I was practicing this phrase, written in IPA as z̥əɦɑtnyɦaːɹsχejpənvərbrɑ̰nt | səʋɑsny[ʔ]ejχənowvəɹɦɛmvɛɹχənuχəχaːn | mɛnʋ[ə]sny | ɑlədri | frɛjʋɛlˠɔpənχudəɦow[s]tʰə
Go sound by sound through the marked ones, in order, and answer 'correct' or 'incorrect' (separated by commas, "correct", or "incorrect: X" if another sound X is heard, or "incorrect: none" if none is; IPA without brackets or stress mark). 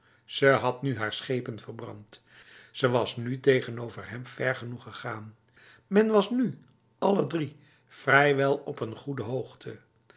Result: incorrect: t, incorrect: ɑ, incorrect: χ